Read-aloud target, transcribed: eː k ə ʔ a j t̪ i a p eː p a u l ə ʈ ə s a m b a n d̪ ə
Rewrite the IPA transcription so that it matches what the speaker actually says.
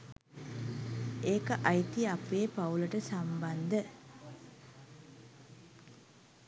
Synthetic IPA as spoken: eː k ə ʔ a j t̪ i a p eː p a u l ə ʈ ə s a m b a n d̪ ə